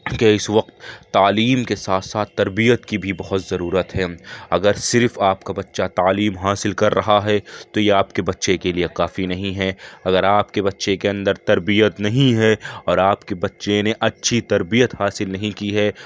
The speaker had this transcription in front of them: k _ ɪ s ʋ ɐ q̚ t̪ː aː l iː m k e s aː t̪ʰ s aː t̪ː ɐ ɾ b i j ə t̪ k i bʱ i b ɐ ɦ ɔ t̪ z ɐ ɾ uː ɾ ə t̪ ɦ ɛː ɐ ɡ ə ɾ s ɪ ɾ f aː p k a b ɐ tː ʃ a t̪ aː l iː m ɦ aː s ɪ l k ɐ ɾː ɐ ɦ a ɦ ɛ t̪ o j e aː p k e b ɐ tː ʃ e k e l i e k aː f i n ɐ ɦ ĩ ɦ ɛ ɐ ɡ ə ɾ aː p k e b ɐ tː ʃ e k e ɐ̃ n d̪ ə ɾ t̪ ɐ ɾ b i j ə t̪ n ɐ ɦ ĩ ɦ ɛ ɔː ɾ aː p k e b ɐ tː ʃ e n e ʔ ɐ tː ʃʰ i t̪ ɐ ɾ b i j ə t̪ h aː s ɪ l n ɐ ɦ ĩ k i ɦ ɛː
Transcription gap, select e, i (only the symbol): e